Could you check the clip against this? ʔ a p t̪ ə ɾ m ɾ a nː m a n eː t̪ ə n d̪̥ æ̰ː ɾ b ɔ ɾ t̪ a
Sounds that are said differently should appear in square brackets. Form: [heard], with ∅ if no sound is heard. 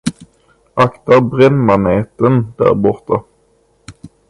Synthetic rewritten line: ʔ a [k] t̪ [a] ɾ [b] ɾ [ɛ] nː m a n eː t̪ ə n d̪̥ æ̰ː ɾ b ɔ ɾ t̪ a